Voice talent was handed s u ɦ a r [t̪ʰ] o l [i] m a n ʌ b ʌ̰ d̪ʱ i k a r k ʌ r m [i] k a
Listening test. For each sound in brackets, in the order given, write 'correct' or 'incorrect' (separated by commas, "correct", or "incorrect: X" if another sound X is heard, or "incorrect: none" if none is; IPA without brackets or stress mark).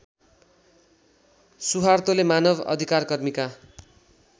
incorrect: t̪, incorrect: e, correct